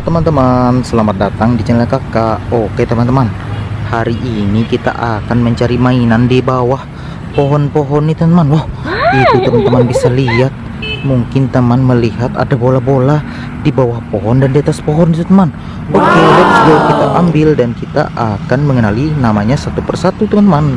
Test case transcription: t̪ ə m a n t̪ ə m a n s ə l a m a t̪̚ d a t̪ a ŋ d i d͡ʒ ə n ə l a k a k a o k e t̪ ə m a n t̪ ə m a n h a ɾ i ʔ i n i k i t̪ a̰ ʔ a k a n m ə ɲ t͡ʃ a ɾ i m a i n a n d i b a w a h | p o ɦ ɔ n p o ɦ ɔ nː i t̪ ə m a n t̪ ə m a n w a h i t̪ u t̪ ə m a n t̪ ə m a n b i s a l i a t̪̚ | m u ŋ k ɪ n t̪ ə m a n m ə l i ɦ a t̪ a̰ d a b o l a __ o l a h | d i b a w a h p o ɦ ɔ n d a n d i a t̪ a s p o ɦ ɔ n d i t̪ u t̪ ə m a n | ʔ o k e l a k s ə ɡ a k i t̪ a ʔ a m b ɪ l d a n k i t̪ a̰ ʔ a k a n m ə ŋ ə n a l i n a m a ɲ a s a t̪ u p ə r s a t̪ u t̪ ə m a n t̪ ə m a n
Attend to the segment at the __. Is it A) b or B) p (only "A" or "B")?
A